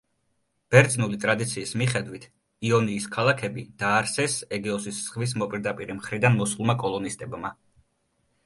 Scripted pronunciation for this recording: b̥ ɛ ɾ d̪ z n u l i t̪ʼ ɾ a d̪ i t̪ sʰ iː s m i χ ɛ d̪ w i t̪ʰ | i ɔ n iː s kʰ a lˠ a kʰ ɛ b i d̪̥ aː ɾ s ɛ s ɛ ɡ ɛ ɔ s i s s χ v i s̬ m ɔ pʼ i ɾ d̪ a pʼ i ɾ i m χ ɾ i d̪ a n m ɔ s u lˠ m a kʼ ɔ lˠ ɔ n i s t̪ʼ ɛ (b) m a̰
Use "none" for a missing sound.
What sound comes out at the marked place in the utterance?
b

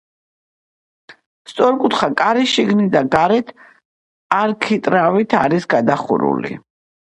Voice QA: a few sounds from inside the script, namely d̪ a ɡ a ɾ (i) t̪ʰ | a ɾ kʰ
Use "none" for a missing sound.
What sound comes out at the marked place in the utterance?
ɛ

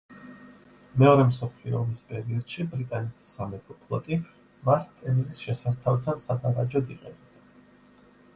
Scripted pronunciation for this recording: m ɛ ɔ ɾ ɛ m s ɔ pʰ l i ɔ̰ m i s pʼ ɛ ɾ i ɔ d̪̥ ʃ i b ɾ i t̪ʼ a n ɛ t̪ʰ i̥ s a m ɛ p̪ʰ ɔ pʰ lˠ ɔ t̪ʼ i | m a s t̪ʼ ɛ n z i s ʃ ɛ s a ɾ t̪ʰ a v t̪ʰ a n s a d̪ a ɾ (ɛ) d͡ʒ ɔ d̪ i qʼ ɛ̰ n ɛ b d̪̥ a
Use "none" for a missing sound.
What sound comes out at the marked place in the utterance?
a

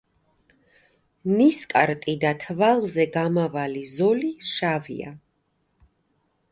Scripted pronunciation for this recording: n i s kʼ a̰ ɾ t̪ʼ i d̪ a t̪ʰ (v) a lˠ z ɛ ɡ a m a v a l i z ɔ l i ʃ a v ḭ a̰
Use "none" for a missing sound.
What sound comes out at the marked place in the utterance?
v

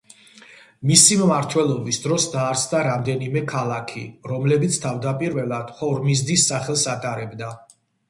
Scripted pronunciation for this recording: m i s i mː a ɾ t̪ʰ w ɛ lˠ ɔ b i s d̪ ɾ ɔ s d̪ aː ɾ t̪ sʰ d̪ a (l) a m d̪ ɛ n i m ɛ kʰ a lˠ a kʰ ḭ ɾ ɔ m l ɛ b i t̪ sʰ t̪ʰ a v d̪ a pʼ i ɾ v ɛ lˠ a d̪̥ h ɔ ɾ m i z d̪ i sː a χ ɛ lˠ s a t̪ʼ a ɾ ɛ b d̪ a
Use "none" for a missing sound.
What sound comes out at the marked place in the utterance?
ɾ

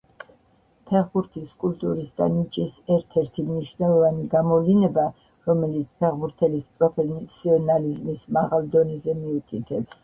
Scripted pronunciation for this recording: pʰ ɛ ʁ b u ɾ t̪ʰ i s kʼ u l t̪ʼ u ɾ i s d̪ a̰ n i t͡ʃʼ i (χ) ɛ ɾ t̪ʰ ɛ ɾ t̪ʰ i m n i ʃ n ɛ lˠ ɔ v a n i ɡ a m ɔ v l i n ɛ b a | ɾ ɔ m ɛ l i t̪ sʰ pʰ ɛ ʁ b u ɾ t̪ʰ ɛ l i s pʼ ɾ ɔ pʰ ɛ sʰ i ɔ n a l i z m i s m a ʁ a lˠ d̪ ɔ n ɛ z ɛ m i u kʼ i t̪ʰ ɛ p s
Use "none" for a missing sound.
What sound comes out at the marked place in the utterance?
s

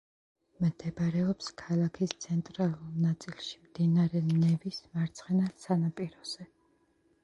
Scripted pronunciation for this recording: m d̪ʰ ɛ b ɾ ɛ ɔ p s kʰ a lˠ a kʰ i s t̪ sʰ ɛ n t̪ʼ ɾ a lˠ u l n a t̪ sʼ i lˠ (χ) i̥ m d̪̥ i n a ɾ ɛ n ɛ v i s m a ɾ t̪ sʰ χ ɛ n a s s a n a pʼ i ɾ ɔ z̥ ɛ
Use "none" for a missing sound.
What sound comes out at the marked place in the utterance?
ʃ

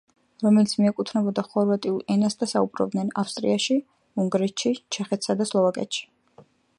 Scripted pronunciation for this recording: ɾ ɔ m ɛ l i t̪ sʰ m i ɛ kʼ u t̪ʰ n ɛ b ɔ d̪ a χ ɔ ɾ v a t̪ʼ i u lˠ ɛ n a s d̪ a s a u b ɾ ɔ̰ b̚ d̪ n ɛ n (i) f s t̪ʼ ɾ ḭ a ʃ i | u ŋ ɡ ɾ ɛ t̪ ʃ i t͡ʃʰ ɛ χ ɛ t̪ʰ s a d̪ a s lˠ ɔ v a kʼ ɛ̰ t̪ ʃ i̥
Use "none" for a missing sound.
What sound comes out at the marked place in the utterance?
a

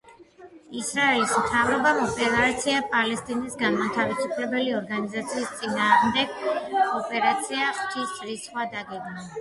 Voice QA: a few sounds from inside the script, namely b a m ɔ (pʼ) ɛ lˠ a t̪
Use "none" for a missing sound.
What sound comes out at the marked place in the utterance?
pʼ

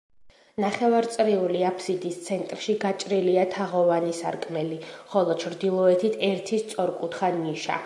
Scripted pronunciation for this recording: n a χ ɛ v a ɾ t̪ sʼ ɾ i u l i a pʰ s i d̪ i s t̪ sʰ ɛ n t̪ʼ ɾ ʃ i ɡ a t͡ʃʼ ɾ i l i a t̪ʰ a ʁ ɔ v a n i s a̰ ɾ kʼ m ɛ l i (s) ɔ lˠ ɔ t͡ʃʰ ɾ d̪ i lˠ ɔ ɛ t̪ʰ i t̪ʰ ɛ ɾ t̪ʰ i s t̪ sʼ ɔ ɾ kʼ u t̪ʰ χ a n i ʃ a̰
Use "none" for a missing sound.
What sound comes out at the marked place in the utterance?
χ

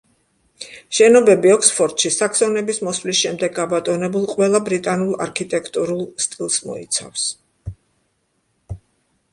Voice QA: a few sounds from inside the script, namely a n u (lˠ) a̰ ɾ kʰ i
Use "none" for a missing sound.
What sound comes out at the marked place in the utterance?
lˠ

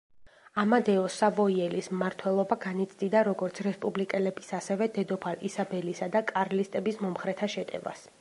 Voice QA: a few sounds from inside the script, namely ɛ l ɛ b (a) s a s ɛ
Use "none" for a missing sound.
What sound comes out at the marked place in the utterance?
i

